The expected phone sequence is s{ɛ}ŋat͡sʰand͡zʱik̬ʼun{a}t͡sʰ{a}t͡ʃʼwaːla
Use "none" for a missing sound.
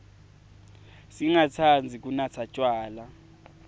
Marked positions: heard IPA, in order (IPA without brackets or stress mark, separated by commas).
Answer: i, a, a